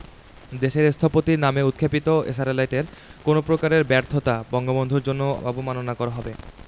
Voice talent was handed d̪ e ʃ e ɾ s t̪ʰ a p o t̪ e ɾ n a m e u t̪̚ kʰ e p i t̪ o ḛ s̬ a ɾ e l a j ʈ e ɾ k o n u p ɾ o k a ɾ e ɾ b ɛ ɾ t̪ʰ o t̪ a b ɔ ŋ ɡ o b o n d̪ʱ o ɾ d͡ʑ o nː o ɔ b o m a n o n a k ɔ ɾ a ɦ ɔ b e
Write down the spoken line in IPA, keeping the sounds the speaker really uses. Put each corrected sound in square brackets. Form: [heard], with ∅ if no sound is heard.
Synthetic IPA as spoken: d̪ e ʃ e ɾ s t̪ʰ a p o t̪ [i] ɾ n a m e u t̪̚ kʰ e p i t̪ o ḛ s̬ a ɾ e l a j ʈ e ɾ k o n [o] p ɾ o k a ɾ e ɾ b ɛ ɾ t̪ʰ o t̪ a b ɔ ŋ ɡ o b o n d̪ʱ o ɾ d͡ʑ o nː o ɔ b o m a n o n a k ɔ ɾ a ɦ ɔ b e